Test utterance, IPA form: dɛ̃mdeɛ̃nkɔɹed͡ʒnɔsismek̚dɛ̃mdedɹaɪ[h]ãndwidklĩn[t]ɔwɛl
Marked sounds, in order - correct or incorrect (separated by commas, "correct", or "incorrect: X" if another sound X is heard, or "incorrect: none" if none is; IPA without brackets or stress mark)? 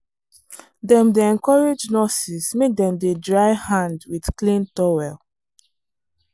correct, correct